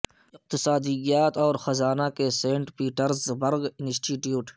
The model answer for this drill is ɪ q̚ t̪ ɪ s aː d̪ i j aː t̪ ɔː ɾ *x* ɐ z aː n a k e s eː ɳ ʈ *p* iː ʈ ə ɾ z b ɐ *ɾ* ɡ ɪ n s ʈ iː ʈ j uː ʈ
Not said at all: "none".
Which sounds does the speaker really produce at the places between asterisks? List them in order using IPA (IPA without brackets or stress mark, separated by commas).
x, p, ɾ